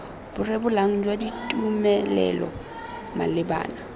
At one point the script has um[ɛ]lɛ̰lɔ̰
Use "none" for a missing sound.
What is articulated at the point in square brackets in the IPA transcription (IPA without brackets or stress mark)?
ɛ